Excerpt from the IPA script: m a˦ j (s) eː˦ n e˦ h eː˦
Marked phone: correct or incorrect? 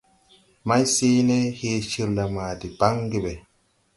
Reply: correct